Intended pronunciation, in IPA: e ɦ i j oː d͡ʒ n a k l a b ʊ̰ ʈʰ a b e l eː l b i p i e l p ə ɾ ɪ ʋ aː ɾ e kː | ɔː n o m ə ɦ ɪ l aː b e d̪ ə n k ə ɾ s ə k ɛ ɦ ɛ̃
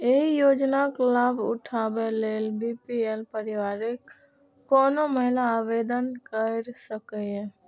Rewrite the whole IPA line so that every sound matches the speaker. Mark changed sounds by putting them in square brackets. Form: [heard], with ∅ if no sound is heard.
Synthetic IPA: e ɦ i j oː d͡ʒ n a k l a b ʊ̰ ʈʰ a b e l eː l b i p i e l p ə ɾ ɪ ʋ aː ɾ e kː | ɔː n o m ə ɦ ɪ l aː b e d̪ ə n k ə ɾ s ə k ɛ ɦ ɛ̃